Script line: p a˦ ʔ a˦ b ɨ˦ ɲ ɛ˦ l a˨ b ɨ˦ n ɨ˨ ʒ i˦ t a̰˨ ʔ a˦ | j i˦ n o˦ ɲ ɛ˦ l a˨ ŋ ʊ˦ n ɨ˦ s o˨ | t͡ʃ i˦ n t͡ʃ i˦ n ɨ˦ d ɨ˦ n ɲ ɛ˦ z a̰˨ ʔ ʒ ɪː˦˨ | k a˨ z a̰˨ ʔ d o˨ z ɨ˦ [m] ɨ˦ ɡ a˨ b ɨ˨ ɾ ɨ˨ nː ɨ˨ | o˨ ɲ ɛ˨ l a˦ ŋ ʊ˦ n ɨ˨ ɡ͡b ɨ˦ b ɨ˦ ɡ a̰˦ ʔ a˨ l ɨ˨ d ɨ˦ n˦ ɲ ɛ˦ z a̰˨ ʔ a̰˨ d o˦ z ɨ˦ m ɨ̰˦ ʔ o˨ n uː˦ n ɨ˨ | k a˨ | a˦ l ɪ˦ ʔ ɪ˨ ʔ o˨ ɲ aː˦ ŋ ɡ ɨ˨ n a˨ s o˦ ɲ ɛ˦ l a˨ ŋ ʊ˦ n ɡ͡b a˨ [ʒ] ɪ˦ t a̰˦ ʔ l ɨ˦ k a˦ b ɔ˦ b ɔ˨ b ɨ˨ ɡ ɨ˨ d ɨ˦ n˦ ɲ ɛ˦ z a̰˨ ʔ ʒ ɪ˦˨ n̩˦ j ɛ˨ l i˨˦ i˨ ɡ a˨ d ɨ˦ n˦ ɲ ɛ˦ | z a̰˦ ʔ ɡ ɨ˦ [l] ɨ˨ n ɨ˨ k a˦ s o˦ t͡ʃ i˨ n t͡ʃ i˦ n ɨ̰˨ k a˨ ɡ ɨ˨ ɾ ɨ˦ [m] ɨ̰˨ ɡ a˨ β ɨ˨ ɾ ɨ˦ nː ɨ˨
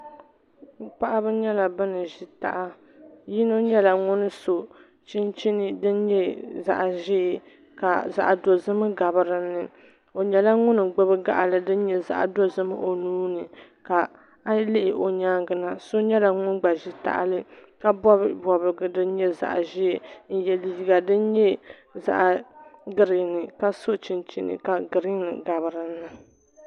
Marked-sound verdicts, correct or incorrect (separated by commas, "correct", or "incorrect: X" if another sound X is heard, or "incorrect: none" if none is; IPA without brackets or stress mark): correct, correct, incorrect: ɾ, incorrect: n